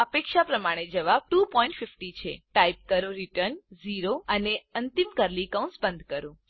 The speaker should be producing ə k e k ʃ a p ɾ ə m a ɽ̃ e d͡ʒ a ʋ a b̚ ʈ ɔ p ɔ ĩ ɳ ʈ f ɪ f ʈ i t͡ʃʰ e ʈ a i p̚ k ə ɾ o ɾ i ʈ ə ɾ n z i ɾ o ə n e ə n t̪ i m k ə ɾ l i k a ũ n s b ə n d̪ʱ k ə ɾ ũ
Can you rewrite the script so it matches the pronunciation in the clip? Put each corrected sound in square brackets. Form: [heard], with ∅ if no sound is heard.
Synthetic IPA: ə [p] e k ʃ a p ɾ ə m a ɽ̃ e d͡ʒ [ə] ʋ a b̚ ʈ [u] p ɔ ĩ ɳ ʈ f ɪ f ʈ i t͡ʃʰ e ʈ a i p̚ k ə ɾ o ɾ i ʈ ə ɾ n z i ɾ o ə n e ə n t̪ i m k ə ɾ l i k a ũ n s b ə n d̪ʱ k ə ɾ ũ